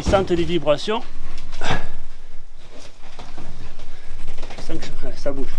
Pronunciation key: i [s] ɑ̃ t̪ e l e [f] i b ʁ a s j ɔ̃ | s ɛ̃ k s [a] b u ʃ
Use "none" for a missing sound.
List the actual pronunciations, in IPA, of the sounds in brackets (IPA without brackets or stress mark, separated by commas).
s, v, a